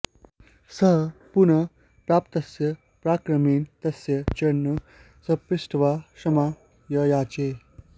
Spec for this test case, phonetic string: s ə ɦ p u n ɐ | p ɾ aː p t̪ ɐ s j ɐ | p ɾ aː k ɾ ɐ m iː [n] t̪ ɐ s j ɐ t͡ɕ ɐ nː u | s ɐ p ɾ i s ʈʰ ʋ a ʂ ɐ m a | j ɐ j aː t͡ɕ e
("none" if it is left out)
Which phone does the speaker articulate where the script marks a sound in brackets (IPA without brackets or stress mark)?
n